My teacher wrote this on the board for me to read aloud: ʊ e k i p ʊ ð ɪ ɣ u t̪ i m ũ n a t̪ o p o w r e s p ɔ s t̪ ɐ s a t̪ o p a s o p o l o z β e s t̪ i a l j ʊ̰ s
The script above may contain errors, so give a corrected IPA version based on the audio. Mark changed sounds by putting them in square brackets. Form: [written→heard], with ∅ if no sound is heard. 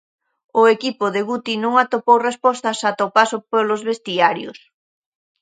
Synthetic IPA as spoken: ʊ e k i p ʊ ð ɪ ɣ u t̪ i [m→n] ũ [n→ŋ] a t̪ o p o w r e s p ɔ s t̪ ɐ s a t̪ o p a s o p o l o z β e s t̪ i a [l→ɾ] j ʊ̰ s